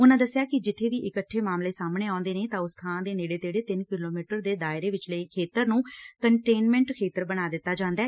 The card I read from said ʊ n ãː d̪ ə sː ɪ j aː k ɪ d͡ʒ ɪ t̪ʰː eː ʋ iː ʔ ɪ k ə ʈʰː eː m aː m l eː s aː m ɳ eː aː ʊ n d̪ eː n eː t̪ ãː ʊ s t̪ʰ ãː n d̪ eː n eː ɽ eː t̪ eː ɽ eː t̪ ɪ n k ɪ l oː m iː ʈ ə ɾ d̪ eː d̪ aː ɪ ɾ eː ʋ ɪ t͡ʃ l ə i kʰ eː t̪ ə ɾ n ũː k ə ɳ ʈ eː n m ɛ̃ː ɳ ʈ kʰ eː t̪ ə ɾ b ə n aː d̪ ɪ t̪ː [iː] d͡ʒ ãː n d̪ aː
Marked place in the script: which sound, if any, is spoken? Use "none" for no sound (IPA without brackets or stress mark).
aː